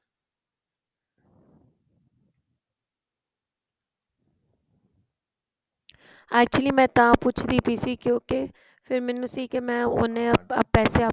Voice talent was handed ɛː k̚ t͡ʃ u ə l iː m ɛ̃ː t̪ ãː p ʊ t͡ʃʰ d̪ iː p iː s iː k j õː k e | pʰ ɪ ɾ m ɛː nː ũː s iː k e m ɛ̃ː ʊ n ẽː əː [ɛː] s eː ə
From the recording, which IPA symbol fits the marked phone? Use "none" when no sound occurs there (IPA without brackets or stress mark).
ɛː